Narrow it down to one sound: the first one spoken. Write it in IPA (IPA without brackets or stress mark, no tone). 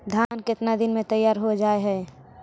d̪ʱ